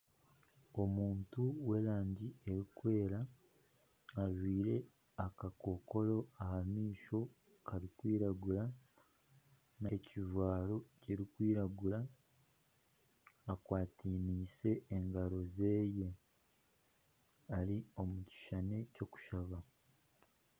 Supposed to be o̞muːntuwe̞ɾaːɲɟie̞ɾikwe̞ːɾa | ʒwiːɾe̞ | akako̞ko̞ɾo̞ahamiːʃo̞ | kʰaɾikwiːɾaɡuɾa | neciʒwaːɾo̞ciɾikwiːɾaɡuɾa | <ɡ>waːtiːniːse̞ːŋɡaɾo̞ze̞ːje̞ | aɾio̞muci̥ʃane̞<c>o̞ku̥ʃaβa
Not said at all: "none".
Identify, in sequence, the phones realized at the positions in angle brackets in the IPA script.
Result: k, c

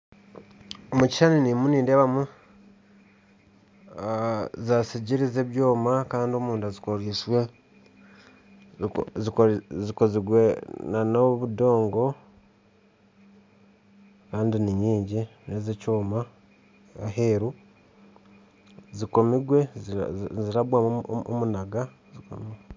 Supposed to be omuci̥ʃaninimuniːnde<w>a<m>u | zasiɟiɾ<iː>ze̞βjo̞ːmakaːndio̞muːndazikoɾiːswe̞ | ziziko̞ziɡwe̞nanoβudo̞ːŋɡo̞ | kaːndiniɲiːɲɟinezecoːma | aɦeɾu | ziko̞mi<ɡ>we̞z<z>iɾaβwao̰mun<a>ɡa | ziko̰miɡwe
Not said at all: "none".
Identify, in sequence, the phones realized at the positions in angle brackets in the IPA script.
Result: β, m, i, ɡ, z, a

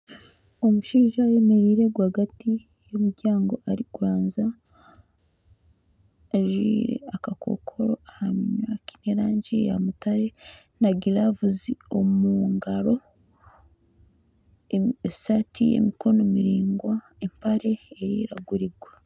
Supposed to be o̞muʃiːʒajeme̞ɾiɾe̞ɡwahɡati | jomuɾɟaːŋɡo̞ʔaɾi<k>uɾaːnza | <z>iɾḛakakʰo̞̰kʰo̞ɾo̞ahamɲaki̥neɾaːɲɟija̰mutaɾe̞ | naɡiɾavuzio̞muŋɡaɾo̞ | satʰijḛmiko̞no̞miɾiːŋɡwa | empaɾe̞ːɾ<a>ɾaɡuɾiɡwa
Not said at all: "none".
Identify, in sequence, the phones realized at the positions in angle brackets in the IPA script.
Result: k, ʒ, i

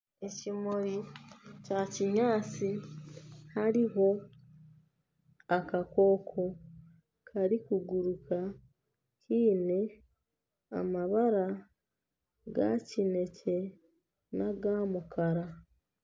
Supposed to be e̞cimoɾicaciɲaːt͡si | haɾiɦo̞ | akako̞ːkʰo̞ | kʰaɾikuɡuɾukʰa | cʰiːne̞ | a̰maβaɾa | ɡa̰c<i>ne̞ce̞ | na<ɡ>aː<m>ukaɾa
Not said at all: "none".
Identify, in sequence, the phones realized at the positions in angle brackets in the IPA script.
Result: i, ɡ, m

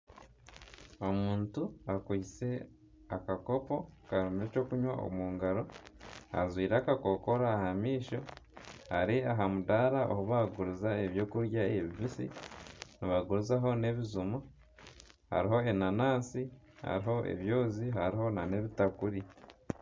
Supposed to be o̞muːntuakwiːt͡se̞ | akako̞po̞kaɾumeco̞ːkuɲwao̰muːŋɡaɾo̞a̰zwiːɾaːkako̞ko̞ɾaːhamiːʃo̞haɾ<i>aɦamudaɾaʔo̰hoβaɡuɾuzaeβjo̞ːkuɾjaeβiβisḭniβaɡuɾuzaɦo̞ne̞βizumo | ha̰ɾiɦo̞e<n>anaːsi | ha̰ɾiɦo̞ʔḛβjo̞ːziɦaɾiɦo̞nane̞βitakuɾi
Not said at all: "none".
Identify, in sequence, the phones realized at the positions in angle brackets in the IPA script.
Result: i, n

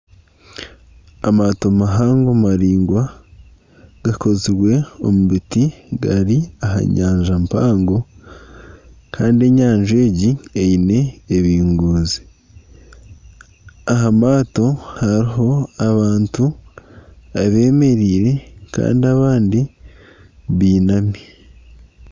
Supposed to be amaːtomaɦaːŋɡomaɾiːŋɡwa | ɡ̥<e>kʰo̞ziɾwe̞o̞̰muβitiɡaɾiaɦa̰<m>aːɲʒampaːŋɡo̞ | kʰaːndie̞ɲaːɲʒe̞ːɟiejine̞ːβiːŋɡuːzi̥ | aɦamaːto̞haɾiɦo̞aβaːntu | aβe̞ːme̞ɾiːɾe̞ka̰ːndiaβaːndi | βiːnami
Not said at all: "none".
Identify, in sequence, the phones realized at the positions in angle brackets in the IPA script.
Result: a, ɲ

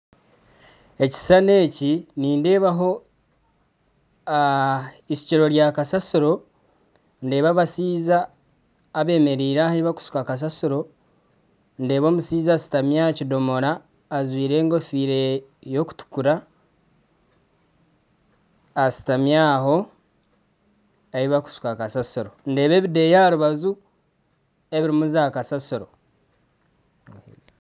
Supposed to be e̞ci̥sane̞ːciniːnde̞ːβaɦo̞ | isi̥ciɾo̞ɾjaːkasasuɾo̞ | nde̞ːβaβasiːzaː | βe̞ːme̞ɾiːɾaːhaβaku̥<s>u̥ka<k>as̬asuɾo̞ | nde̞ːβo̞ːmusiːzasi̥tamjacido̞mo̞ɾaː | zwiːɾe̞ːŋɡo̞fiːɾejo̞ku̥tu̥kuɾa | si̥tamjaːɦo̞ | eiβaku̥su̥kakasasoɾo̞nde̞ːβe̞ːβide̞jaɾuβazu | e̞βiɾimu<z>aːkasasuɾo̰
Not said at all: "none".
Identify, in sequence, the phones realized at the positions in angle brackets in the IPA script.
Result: s, k, z

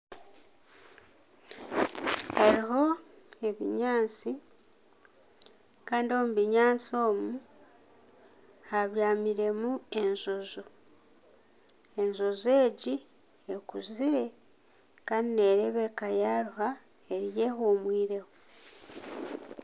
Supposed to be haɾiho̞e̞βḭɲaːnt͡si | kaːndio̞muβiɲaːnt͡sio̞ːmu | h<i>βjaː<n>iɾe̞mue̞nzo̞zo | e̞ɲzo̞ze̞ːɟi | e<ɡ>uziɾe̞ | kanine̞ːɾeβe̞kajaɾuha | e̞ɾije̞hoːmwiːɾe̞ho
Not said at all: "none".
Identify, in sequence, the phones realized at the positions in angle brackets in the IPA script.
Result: a, m, k

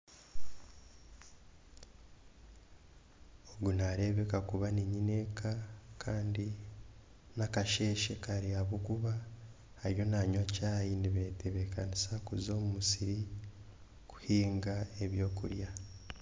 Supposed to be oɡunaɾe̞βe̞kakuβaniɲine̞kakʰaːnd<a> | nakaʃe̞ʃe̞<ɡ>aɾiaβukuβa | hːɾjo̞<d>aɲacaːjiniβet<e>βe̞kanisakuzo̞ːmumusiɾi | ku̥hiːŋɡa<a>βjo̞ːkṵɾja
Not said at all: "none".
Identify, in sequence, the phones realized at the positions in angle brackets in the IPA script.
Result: i, k, n, e, e

